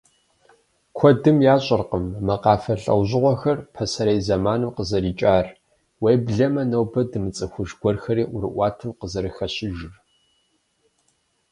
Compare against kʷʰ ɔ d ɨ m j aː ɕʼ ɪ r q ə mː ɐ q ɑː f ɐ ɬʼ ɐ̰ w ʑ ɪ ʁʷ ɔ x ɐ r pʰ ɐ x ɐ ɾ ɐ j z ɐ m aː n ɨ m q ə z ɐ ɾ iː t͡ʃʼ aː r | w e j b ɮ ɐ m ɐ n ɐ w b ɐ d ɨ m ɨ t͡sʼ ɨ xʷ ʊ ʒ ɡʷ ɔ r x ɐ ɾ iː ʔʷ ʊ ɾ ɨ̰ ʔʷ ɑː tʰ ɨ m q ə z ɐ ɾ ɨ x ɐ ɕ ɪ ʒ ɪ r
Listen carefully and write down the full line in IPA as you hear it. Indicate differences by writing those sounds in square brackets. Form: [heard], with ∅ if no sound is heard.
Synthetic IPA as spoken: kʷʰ ɔ d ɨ m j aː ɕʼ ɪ r q ə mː ɐ q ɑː f ɐ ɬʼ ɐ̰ w ʑ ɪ ʁʷ ɔ x ɐ r pʰ ɐ [s] ɐ ɾ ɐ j z ɐ m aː n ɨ m q ə z ɐ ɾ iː t͡ʃʼ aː r | w e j b ɮ ɐ m ɐ n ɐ w b ɐ d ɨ m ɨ t͡sʼ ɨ xʷ ʊ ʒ ɡʷ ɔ r x ɐ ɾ iː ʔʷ ʊ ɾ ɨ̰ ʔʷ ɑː tʰ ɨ m q ə z ɐ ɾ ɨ x ɐ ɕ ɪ ʒ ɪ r